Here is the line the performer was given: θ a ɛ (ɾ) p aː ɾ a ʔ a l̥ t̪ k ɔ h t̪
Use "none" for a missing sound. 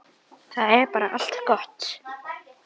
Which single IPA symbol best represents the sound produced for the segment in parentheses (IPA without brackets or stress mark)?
ɾ